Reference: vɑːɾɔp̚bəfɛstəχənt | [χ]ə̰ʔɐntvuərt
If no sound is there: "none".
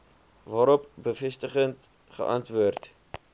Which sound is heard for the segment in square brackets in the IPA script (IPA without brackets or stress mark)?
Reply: χ